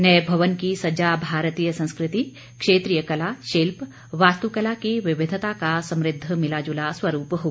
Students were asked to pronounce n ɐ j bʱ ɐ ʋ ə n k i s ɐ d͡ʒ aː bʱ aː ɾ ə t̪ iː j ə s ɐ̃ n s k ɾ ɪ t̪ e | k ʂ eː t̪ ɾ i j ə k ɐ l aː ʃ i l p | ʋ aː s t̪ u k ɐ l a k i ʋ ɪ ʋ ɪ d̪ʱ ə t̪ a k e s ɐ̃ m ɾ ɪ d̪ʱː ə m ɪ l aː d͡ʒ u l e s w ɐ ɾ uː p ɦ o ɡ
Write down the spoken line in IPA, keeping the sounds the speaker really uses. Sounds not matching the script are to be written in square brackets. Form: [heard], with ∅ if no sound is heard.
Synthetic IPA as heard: n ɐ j bʱ ɐ ʋ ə n k i s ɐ d͡ʒ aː bʱ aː ɾ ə t̪ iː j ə s ɐ̃ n s k ɾ ɪ t̪ [i] | k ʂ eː t̪ ɾ i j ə k ɐ l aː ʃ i l p | ʋ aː s t̪ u k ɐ l a k i ʋ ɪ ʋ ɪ d̪ʱ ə t̪ a k [a] s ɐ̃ m ɾ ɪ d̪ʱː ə m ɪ l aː d͡ʒ u l [a] s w ɐ ɾ uː p ɦ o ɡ

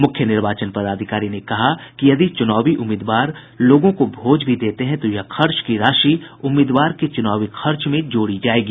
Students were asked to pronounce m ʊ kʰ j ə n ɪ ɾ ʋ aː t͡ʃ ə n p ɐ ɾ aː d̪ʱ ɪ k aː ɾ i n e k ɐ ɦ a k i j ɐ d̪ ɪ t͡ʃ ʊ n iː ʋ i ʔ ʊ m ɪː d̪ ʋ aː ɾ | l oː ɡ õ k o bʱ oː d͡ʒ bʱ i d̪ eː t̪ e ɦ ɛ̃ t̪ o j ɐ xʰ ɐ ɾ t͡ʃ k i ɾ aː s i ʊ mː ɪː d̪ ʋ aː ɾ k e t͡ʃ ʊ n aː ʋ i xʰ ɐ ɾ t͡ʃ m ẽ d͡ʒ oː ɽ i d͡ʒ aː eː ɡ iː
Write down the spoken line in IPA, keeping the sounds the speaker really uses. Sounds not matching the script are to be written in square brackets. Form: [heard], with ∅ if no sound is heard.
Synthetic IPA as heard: m ʊ kʰ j ə n ɪ ɾ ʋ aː t͡ʃ ə n p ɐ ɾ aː d̪ʱ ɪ k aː ɾ i n e k ɐ ɦ a k i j ɐ d̪ [i] t͡ʃ ʊ n [aː] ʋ i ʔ ʊ m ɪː d̪ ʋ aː ɾ | l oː ɡ õ k o bʱ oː d͡ʒ bʱ i d̪ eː t̪ e ɦ ɛ̃ t̪ o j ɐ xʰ ɐ ɾ t͡ʃ k i ɾ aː [ʃ] i ʊ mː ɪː d̪ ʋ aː ɾ k e t͡ʃ ʊ n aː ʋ i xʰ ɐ ɾ t͡ʃ m ẽ d͡ʒ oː ɽ i d͡ʒ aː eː ɡ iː

